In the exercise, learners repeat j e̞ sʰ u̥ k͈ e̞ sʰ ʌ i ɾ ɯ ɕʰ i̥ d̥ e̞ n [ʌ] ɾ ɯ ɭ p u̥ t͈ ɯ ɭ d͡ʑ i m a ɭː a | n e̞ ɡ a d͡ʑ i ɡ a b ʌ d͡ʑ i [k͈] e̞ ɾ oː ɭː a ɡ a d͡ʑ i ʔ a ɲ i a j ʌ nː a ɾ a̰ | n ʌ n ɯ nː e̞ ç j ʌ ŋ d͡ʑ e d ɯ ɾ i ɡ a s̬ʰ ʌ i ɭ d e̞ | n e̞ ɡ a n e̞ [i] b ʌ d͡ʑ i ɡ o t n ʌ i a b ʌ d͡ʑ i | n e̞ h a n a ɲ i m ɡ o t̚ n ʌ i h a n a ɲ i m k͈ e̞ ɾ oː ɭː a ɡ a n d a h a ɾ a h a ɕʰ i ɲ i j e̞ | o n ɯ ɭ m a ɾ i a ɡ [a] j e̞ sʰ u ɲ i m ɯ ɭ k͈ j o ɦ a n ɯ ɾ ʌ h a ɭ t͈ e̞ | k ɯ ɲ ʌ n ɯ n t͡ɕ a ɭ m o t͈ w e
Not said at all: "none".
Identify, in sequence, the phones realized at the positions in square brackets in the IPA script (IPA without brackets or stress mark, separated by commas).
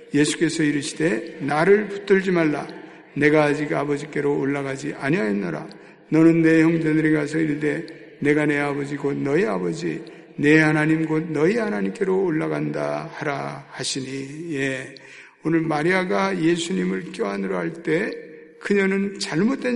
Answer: a, k͈, a, a